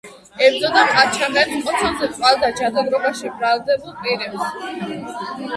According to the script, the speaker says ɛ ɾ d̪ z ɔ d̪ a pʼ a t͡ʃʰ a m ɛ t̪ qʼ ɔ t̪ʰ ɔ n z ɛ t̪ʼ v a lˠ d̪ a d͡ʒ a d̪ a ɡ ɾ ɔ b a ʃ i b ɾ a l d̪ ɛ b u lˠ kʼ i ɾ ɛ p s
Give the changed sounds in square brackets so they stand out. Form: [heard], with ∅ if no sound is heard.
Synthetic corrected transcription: ɛ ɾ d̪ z ɔ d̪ a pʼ a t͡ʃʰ a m ɛ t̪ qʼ ɔ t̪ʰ ɔ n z ɛ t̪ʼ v a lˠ d̪ a d͡ʒ a d̪ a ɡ ɾ ɔ b a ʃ i b ɾ a l d̪ ɛ b u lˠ [pʼ] i ɾ ɛ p s